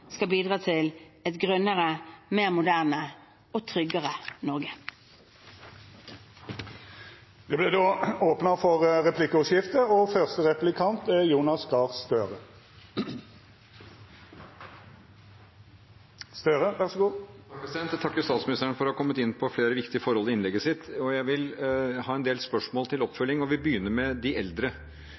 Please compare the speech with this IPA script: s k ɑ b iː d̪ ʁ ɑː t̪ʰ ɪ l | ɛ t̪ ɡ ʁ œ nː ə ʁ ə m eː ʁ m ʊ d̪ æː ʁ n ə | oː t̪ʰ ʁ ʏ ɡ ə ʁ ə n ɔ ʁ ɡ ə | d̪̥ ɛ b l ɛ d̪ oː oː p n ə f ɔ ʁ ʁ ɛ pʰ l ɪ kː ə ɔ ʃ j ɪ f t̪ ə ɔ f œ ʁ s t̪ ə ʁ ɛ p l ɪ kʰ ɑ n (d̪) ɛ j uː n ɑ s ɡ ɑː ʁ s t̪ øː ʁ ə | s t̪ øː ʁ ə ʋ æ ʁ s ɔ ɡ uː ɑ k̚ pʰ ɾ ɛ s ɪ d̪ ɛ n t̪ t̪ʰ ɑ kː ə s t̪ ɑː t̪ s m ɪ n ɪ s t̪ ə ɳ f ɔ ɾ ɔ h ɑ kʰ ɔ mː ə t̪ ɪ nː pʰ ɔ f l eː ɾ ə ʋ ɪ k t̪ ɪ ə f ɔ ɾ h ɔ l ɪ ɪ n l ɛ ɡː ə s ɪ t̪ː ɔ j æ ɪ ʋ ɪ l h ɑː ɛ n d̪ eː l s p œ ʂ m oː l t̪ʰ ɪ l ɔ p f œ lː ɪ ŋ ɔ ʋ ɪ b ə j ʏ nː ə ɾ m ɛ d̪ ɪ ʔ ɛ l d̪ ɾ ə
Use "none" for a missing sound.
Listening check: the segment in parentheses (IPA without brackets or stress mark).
t̪